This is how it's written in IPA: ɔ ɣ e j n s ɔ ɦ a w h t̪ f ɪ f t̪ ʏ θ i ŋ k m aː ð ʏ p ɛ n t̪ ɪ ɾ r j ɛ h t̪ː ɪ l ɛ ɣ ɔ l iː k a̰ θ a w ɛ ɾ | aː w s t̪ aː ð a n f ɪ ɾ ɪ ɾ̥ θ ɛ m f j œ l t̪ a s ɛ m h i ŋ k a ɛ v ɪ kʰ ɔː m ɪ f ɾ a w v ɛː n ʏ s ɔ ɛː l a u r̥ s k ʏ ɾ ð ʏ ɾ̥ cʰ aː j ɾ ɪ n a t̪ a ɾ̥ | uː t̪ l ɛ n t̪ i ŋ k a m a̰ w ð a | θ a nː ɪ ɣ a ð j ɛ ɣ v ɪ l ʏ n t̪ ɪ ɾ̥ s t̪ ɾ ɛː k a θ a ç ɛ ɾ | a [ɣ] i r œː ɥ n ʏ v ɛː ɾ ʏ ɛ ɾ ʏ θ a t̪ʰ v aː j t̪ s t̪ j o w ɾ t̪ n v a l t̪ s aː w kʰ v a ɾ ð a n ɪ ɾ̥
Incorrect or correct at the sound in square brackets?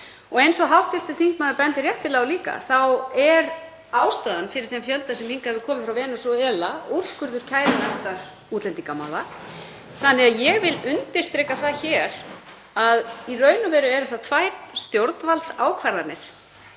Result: incorrect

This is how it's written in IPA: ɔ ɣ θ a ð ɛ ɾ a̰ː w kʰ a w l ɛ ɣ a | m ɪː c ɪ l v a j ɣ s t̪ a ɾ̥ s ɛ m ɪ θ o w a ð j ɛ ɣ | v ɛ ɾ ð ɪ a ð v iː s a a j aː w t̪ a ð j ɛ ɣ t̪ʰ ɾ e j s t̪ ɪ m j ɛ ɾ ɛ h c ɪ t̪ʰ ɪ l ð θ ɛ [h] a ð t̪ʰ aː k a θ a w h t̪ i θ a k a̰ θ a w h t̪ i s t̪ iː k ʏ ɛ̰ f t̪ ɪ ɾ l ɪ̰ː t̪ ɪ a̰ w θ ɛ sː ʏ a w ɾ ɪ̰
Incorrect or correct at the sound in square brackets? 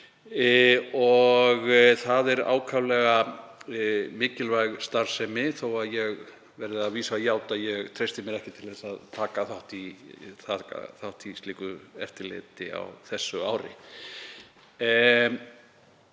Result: incorrect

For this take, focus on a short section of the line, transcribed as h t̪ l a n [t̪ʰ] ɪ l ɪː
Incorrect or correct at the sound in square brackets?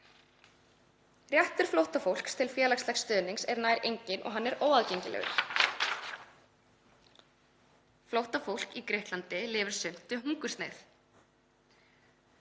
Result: incorrect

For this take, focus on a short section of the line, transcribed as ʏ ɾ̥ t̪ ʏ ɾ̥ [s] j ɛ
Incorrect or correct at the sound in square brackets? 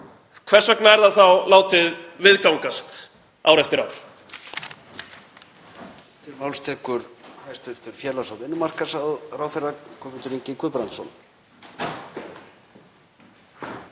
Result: incorrect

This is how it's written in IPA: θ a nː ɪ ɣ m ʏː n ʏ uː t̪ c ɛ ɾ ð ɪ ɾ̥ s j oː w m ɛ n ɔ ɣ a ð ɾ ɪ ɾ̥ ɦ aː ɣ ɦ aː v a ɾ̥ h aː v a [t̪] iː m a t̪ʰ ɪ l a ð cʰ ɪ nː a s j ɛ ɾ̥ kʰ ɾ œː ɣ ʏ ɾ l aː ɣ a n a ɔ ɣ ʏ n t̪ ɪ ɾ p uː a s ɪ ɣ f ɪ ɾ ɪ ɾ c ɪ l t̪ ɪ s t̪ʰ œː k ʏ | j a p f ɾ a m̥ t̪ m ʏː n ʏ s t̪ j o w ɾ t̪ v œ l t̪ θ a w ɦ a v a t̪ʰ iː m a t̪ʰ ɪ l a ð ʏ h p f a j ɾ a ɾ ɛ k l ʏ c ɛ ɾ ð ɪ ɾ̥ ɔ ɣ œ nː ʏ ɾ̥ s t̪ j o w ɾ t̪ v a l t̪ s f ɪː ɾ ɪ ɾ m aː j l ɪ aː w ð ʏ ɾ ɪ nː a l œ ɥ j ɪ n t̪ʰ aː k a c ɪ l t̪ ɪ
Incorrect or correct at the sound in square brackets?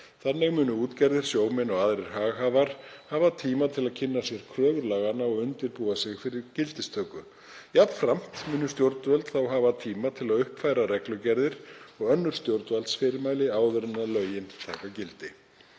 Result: incorrect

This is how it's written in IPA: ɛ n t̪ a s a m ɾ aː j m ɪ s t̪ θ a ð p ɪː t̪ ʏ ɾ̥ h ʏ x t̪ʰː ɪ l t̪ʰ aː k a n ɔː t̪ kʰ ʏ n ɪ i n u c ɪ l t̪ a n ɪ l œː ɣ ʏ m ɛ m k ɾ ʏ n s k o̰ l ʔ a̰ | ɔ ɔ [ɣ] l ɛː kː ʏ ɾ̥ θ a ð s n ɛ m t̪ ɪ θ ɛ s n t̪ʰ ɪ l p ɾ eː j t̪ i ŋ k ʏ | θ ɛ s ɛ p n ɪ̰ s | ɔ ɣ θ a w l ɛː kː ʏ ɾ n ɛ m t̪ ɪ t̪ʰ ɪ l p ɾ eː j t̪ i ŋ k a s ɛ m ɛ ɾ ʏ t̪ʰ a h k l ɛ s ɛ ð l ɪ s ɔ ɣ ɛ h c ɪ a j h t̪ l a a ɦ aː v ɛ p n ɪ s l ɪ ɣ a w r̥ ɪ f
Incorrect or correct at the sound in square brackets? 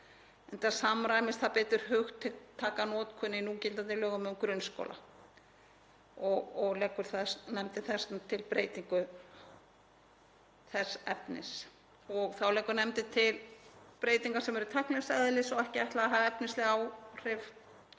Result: correct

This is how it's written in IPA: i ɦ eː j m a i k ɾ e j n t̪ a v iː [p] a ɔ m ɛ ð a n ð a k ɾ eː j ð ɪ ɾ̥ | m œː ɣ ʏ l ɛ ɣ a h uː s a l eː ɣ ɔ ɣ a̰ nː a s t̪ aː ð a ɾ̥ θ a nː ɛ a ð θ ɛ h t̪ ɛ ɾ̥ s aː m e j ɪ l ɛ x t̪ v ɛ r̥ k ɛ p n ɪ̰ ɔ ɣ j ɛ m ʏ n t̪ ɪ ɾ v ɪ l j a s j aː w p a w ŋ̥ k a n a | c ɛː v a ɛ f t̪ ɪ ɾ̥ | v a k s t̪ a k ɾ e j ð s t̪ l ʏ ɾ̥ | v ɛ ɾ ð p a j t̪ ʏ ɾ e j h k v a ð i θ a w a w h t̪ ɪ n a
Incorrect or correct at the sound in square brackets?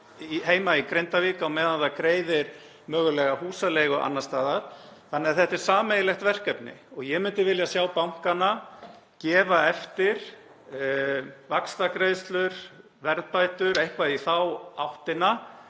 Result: incorrect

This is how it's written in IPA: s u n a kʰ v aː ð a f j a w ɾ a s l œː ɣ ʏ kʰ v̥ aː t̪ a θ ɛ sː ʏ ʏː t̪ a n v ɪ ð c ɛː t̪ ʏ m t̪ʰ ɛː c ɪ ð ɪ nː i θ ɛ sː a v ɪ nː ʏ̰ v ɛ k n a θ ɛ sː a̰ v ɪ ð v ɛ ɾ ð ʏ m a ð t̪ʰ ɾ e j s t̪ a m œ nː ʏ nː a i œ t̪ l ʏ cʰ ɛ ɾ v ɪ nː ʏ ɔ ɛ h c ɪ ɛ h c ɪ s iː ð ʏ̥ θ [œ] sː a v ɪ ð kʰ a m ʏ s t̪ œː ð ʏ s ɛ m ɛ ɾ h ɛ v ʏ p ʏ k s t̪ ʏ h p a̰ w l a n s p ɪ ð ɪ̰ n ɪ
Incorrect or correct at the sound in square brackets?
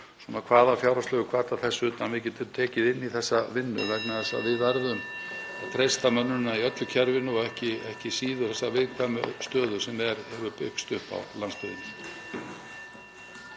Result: incorrect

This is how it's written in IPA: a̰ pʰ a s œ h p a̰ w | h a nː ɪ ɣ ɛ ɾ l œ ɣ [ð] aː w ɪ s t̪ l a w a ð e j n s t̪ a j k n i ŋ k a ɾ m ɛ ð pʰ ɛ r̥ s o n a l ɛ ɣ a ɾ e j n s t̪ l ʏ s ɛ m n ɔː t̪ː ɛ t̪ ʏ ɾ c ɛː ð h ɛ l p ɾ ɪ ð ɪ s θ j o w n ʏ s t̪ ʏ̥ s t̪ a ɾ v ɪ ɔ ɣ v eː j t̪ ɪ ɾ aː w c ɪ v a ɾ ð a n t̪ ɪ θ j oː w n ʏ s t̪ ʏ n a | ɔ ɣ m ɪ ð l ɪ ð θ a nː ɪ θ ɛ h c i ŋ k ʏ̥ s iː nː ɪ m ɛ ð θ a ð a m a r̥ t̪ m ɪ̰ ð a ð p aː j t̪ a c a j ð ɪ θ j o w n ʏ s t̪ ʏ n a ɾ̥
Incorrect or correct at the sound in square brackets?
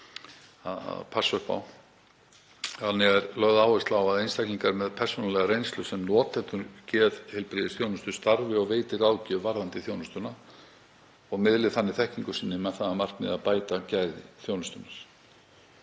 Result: correct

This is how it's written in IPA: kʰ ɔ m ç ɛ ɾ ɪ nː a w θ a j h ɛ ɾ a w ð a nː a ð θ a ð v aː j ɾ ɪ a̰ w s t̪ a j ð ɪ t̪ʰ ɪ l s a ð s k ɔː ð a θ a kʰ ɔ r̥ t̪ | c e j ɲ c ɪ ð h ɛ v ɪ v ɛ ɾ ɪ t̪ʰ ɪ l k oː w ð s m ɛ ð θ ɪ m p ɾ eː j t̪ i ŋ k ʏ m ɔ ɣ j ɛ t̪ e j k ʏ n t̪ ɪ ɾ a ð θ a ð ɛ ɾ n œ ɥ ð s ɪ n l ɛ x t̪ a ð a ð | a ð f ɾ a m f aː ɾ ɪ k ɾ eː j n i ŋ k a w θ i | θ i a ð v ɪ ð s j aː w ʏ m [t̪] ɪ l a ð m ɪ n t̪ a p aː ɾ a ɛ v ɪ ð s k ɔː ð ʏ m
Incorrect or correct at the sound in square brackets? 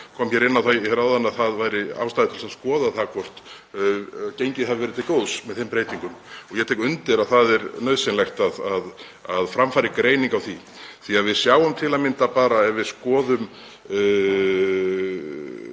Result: incorrect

